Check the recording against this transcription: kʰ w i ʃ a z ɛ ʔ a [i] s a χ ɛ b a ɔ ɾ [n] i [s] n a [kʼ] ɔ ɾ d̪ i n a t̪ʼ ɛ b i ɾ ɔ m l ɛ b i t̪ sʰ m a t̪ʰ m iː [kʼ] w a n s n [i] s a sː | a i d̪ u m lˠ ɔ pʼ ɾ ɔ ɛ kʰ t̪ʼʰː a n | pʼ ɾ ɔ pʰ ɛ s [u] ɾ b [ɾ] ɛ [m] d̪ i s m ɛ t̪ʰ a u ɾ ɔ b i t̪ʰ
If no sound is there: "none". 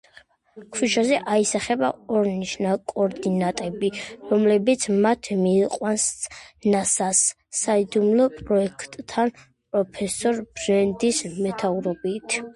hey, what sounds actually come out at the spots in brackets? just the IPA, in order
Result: i, n, ʃ, kʼ, qʼ, a, ɔ, ɾ, n

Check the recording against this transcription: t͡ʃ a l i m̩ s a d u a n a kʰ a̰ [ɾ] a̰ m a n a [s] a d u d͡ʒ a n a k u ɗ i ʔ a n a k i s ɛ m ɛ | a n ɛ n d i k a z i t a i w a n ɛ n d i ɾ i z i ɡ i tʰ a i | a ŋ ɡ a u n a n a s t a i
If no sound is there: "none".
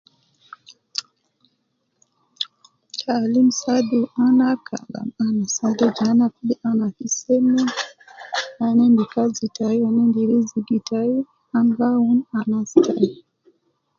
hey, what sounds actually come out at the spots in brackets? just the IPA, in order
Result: l, s

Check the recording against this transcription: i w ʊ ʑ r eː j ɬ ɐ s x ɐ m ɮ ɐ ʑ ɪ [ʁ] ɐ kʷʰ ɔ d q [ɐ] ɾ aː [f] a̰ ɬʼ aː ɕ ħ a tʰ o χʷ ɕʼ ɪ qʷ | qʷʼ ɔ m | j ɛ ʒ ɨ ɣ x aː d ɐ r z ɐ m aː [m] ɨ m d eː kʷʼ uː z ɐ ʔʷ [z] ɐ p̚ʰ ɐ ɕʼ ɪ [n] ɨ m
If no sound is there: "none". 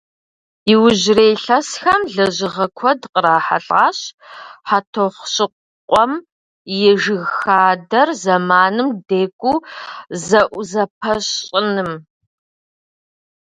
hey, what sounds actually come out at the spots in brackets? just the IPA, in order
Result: ʁ, ə, ħ, n, z, n

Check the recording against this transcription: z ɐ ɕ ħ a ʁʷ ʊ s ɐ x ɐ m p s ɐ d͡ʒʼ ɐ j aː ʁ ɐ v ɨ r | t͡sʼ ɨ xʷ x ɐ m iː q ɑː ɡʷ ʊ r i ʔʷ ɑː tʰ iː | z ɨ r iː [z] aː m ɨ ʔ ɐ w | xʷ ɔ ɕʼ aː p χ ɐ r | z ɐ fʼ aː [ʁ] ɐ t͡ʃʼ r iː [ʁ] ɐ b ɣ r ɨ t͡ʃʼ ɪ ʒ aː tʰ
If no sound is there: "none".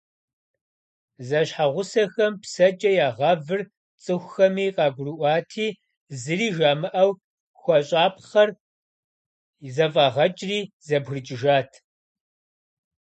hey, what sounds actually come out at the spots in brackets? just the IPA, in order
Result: ʒ, ʁ, z

